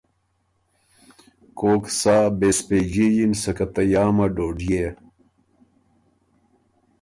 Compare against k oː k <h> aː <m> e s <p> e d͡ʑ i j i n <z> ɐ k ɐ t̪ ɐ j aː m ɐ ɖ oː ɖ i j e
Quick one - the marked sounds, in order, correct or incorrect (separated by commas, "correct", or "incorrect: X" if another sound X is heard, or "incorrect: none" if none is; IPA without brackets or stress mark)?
incorrect: s, incorrect: b, correct, incorrect: s